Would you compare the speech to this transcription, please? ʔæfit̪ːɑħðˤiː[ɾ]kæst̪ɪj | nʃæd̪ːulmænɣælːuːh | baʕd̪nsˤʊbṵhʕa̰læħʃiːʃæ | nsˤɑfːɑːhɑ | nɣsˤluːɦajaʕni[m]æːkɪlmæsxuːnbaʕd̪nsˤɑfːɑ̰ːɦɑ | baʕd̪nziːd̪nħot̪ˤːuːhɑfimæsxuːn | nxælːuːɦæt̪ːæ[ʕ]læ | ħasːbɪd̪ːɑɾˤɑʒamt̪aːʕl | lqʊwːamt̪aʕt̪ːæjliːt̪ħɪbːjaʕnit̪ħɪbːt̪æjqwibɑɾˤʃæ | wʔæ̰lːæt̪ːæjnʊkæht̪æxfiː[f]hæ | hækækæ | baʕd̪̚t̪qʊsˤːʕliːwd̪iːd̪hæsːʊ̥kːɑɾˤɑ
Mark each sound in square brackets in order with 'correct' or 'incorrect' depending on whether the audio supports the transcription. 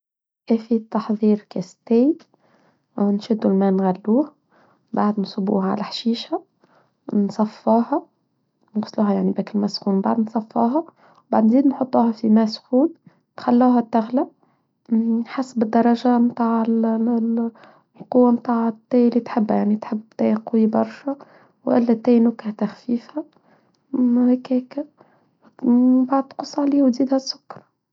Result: correct, incorrect: b, incorrect: ɣ, correct

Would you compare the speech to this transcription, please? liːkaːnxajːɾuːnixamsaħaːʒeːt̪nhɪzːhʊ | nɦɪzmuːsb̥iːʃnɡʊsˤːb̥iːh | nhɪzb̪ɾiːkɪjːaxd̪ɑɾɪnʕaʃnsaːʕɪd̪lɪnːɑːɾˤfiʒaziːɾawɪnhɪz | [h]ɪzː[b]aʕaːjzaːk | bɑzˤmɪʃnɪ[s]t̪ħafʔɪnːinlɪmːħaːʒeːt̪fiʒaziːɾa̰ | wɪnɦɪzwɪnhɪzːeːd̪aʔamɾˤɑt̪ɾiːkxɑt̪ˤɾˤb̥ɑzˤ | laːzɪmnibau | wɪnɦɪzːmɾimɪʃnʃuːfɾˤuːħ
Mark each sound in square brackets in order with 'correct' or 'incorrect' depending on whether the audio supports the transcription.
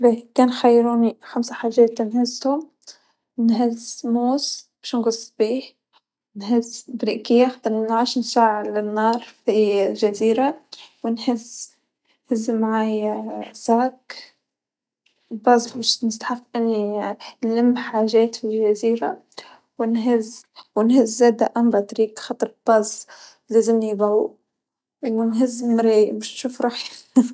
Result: correct, incorrect: m, correct

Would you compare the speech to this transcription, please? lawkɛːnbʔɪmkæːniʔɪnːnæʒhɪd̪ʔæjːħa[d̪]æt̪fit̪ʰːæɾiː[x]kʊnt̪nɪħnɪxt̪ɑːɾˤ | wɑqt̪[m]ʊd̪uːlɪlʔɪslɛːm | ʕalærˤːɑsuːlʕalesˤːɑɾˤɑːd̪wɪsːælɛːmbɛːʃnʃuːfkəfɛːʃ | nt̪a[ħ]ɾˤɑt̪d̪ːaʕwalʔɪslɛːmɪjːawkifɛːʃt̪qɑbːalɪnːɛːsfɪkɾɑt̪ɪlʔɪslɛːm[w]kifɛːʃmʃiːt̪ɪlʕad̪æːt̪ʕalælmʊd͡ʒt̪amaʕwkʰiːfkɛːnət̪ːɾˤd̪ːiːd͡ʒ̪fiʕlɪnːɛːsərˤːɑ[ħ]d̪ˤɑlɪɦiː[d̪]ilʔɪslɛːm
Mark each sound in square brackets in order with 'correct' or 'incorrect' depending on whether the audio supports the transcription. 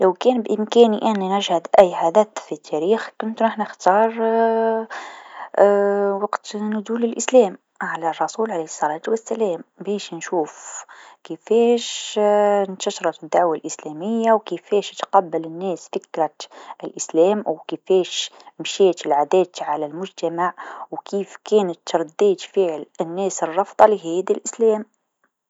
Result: correct, correct, incorrect: n, incorrect: ʃ, correct, incorrect: f, correct

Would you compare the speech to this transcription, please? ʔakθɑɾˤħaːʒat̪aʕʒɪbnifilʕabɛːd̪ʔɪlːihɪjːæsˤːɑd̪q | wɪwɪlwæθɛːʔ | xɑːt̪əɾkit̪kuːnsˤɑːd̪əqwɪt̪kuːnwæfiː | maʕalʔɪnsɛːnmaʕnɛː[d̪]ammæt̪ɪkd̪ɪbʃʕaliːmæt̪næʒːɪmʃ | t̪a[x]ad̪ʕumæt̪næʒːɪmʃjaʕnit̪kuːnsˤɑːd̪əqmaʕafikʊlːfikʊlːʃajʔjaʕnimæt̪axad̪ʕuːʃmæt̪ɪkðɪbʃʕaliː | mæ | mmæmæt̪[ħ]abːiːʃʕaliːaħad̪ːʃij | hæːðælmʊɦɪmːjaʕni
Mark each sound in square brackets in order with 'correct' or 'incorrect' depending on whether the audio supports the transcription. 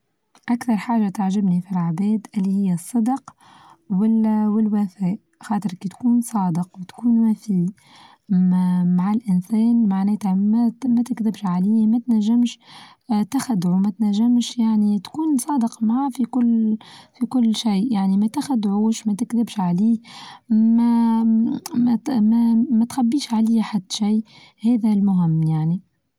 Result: incorrect: t̪, correct, incorrect: x

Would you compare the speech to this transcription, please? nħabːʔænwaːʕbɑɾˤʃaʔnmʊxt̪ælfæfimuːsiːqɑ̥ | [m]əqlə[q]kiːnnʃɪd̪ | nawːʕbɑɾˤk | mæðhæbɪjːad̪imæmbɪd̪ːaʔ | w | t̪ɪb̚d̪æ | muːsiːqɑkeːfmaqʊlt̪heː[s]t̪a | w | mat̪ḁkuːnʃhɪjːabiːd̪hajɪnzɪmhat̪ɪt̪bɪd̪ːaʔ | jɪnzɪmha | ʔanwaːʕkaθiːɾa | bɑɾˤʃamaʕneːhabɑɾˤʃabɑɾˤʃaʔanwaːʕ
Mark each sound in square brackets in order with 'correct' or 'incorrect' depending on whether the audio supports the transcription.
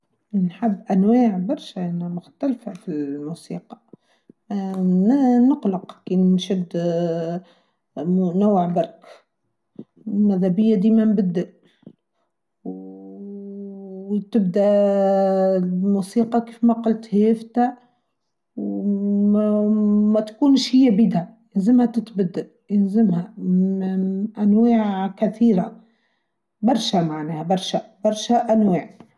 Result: incorrect: n, correct, incorrect: f

